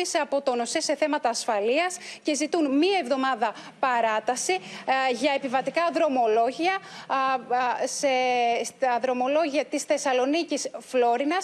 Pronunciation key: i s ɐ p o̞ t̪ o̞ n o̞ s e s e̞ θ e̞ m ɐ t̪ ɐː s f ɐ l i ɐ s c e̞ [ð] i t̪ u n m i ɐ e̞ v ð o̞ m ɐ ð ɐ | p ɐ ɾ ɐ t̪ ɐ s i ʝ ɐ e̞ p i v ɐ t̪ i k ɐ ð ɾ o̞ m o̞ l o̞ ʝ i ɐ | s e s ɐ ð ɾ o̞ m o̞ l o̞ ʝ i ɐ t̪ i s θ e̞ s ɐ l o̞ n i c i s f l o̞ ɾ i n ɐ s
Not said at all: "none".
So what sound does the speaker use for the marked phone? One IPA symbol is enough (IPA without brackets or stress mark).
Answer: z